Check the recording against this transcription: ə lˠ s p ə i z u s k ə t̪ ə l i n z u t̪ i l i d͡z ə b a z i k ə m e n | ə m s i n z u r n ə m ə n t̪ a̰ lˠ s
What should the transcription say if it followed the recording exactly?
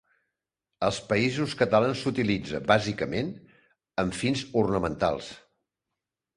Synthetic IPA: ə lˠ s p ə i z u s k ə t̪ ə l a n s u t̪ i l i d͡z ə b a z i k ə m e n | ə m f i n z u r n ə m ə n t̪ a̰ lˠ s